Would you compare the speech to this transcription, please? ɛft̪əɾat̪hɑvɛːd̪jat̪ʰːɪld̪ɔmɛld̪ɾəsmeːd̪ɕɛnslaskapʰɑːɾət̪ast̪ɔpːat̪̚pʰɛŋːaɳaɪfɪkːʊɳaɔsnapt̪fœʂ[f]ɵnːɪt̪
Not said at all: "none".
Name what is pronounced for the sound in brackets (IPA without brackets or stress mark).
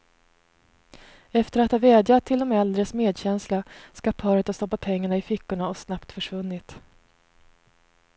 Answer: v